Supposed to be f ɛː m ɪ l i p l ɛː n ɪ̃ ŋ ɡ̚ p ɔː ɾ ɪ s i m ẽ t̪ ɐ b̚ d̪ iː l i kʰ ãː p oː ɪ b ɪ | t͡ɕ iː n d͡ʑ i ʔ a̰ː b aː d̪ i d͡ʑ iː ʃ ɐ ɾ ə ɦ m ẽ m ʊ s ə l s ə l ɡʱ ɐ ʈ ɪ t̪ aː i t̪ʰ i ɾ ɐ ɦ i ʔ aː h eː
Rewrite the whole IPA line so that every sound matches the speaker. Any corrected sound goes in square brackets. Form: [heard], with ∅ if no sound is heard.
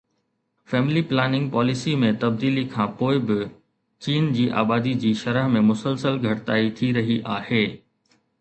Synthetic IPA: f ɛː m ɪ l i p l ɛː n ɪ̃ ŋ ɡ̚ p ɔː [l] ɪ s i m ẽ t̪ ɐ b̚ d̪ iː l i kʰ ãː p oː ɪ b ɪ | t͡ɕ iː n d͡ʑ [iː] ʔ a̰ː b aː d̪ i d͡ʑ iː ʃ ɐ ɾ ə ɦ m ẽ m ʊ s ə l s ə l ɡʱ ɐ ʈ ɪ t̪ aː i t̪ʰ i ɾ ɐ ɦ i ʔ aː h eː